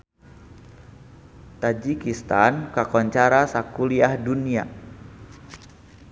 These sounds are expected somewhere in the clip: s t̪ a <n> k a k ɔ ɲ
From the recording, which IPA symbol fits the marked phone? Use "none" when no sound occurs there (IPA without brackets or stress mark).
n